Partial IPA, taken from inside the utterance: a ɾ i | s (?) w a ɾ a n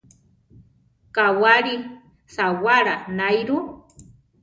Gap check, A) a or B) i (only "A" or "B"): A